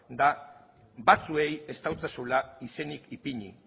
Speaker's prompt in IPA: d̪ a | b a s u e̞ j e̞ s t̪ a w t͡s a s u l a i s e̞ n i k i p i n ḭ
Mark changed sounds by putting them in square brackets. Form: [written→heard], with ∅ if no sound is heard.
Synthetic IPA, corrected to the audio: d̪ a | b a [s→t͡s] u e̞ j e̞ s t̪ a w t͡s a s u l a i s e̞ n i k i p i [n→ɲ] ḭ

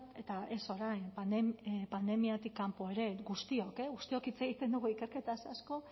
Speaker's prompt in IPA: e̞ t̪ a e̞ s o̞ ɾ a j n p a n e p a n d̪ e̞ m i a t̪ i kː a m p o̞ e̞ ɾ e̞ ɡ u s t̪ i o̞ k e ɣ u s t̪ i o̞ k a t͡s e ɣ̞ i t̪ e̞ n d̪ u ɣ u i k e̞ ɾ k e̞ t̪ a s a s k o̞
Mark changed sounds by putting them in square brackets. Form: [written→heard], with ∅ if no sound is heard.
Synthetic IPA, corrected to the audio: e̞ t̪ a e̞ s o̞ ɾ a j n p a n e p a n d̪ e̞ m i a t̪ i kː a m p o̞ e̞ ɾ e̞ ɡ u s t̪ i o̞ k e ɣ u s t̪ i o̞ k [a→i] t͡s e ɣ̞ i t̪ e̞ n d̪ u ɣ u i k e̞ ɾ k e̞ t̪ a s a s k o̞

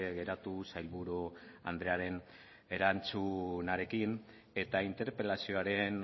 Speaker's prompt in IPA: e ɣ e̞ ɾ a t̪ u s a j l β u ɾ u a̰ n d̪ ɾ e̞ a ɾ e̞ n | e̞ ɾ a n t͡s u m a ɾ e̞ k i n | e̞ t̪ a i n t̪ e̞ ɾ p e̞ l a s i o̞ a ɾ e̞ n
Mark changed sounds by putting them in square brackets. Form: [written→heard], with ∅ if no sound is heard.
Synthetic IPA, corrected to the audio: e ɣ e̞ ɾ a t̪ u s a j l β u ɾ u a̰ n d̪ ɾ e̞ a ɾ e̞ n | e̞ ɾ a n t͡s u [m→n] a ɾ e̞ k i n | e̞ t̪ a i n t̪ e̞ ɾ p e̞ l a s i o̞ a ɾ e̞ n

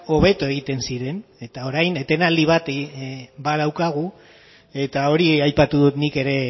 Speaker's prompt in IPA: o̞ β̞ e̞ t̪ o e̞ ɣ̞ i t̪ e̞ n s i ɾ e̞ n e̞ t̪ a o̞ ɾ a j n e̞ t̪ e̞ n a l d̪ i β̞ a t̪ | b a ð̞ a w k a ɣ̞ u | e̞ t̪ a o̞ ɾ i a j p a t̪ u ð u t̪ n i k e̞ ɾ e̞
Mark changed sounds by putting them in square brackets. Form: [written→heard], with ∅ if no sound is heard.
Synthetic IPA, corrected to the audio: o̞ β̞ e̞ t̪ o e̞ ɣ̞ i t̪ e̞ n s i ɾ e̞ n e̞ t̪ a o̞ ɾ a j n e̞ t̪ e̞ n a l d̪ i β̞ a t̪ | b a ð̞ a w k a ɣ̞ u | e̞ t̪ a o̞ ɾ i a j p a t̪ u ð u t̪ n i k e̞ ɾ e̞

